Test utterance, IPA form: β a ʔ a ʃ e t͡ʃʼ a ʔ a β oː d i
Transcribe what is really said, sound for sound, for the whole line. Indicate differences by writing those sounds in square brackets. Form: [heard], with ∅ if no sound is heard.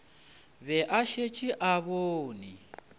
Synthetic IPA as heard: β [ɛ] ʔ a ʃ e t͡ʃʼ [i] ʔ a β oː [n] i